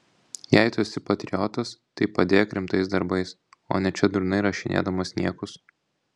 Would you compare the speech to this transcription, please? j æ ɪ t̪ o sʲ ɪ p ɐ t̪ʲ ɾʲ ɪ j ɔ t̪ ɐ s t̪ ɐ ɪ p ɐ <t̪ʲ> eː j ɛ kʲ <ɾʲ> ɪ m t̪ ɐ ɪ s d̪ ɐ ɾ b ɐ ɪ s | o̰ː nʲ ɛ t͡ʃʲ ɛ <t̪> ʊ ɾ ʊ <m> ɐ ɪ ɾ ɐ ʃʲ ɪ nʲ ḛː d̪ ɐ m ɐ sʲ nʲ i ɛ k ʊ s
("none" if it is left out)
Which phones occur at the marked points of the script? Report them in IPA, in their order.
d̪ʲ, ɾʲ, d̪, n

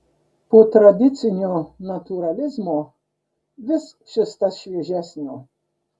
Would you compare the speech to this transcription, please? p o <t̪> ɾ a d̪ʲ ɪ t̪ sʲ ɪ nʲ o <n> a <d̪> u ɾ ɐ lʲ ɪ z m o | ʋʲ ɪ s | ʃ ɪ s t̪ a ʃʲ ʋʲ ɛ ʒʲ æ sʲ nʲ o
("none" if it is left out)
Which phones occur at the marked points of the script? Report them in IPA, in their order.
t̪, n, t̪

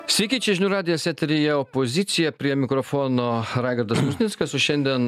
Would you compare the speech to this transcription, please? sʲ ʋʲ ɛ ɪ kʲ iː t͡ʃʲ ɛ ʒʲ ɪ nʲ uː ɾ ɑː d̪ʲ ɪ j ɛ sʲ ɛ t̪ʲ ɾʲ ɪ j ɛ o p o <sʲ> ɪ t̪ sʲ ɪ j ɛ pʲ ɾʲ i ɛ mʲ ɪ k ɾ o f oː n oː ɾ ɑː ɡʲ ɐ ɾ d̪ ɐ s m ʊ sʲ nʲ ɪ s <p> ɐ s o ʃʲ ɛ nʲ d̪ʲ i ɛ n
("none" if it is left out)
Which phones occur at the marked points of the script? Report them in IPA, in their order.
zʲ, k

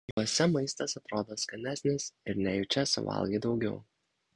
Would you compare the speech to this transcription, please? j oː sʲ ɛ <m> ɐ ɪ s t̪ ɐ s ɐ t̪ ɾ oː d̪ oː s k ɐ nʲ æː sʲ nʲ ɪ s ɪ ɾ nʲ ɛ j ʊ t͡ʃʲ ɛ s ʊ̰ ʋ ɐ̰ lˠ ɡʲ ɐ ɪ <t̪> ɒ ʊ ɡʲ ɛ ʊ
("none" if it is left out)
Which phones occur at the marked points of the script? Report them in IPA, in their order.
m, d̪

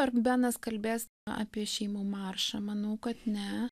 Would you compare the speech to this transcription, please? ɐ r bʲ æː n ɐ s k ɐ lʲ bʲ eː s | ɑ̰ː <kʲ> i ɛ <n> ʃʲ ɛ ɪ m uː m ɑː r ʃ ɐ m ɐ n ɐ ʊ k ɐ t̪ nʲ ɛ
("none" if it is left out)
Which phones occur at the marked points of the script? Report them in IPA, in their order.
pʲ, none

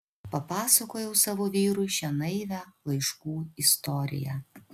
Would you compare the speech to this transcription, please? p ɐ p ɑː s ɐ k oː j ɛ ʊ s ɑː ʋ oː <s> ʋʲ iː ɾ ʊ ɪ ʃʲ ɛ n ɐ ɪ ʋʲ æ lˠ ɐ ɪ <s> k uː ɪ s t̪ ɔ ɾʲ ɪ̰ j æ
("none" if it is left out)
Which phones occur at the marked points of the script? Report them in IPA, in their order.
none, ʃ

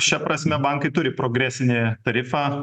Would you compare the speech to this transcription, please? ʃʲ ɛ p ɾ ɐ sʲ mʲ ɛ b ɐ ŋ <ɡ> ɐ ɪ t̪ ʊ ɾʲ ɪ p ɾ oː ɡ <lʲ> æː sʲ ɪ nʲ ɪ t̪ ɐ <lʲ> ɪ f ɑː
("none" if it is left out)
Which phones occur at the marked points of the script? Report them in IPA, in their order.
k, ɾʲ, ɾʲ

